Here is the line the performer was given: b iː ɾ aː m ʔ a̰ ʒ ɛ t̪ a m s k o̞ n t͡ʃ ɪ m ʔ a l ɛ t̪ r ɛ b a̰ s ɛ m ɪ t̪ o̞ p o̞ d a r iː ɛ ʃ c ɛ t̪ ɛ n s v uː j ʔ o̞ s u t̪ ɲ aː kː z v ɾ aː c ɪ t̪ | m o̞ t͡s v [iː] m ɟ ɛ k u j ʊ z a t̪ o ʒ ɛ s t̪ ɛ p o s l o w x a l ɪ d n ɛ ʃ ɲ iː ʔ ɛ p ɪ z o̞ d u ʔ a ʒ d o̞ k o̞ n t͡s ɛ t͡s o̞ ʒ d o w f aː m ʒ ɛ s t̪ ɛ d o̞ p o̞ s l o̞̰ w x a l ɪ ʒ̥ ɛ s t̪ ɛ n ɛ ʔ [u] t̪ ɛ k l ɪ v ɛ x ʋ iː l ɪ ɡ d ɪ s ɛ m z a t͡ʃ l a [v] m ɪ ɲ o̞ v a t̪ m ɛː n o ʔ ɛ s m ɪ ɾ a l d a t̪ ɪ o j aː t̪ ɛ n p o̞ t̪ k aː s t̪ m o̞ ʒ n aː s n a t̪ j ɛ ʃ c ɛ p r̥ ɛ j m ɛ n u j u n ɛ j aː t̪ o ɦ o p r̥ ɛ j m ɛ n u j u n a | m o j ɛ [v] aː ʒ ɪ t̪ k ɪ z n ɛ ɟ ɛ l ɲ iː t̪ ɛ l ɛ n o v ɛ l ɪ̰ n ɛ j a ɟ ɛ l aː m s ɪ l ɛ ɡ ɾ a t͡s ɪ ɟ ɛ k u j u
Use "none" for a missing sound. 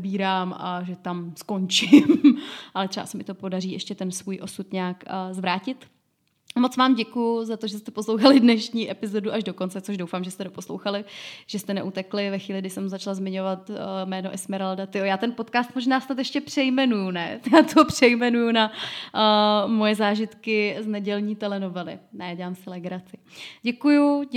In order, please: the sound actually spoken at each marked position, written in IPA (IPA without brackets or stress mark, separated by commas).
aː, u, z, z